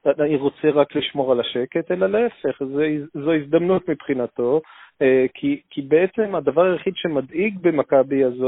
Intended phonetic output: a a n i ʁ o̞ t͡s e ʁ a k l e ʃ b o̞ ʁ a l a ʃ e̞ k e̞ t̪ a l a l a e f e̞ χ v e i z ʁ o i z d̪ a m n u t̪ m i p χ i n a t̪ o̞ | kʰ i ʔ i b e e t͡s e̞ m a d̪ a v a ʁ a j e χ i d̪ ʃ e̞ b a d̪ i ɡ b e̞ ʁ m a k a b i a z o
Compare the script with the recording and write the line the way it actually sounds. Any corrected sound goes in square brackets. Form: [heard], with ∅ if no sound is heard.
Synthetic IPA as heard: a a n i ʁ o̞ t͡s e ʁ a k l [i] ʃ [m] o̞ ʁ a l a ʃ e̞ k e̞ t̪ [e] l a l a e f e̞ χ [z] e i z [z] o i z d̪ a m n u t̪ m i p χ i n a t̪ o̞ | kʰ i [k] i b e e t͡s e̞ m a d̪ a v a ʁ a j e χ i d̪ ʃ e̞ [m] a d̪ i ɡ b e̞ [∅] m a k a b i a z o